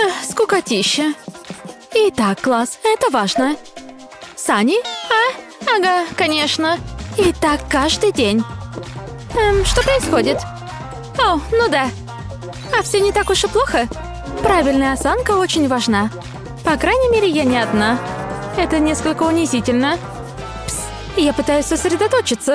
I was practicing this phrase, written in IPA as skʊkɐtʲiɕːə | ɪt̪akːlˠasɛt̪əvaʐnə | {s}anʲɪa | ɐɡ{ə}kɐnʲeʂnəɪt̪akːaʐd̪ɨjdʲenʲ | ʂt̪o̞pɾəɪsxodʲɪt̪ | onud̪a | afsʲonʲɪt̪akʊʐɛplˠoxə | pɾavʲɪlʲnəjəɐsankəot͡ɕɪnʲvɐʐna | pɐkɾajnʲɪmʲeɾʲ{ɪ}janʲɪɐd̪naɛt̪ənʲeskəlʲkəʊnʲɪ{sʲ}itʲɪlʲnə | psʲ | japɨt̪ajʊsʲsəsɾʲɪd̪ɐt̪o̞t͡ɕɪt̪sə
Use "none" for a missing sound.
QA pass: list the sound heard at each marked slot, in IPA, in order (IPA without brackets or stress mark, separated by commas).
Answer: s, a, ɪ, zʲ